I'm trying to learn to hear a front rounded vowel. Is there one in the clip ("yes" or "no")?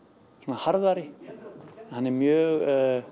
yes